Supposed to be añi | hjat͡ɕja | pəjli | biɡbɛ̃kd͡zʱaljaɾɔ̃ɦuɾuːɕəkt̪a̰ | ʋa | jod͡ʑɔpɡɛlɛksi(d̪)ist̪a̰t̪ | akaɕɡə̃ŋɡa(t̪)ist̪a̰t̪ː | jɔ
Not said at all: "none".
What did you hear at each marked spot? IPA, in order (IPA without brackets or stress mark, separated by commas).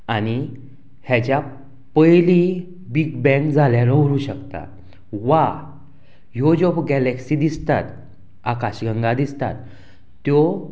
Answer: d̪, d̪